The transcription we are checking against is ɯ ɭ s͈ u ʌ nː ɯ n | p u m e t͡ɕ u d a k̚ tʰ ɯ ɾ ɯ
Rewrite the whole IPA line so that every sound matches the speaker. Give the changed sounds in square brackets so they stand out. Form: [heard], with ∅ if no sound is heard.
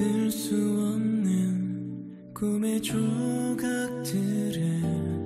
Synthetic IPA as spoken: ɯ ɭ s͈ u ʌ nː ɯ n | [k] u m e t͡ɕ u [ɡ] a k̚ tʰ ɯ ɾ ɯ